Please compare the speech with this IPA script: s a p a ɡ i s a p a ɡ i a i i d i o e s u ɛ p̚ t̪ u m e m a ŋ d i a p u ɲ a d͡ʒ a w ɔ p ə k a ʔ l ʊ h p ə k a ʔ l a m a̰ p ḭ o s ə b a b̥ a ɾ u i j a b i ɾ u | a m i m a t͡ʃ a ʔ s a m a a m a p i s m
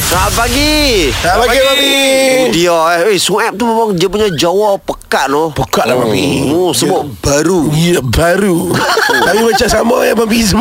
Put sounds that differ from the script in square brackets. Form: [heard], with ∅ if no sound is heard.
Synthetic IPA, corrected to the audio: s a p a ɡ i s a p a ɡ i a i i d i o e s u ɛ p̚ t̪ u m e m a ŋ d i a p u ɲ a d͡ʒ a w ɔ p ə k a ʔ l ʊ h p ə k a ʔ l a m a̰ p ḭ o s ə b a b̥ a ɾ u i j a b [a] ɾ u | a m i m a t͡ʃ a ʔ s a m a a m a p i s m